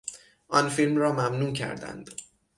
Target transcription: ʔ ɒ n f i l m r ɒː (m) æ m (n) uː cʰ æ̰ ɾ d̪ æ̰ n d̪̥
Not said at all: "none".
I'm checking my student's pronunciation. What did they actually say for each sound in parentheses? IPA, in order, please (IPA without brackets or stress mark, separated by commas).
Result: m, n